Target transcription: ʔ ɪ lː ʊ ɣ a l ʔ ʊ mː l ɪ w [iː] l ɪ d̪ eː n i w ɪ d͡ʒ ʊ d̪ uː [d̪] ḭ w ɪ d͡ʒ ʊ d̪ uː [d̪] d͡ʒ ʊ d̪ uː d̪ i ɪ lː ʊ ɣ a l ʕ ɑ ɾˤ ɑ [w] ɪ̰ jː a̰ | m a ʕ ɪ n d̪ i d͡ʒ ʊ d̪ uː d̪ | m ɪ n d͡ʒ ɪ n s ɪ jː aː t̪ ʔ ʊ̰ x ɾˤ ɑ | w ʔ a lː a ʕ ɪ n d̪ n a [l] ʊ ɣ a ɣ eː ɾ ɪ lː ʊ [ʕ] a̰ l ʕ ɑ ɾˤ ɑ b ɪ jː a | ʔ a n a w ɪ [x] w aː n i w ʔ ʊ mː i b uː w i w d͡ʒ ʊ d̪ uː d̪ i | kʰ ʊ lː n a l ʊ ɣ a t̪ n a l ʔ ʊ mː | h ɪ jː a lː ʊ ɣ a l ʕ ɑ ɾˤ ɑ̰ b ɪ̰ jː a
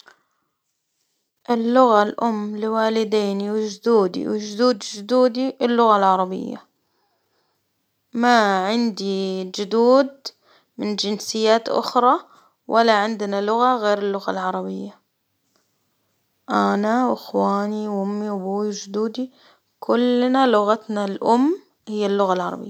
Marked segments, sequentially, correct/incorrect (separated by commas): incorrect, correct, correct, incorrect, correct, incorrect, correct